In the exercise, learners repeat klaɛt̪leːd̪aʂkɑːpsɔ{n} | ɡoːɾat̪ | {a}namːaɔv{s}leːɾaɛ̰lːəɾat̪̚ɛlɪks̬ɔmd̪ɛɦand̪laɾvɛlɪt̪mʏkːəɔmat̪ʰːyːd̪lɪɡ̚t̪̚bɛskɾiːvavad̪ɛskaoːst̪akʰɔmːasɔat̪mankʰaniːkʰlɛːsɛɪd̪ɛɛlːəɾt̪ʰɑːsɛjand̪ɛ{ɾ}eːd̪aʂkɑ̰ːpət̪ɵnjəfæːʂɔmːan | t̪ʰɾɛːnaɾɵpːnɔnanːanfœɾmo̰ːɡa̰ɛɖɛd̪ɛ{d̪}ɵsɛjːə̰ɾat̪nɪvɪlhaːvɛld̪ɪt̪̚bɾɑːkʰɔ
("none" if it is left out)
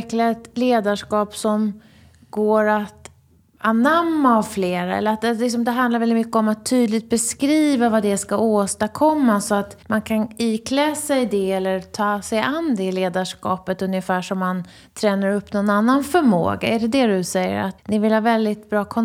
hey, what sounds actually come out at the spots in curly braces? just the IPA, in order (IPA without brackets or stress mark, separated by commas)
m, a, f, l, d̪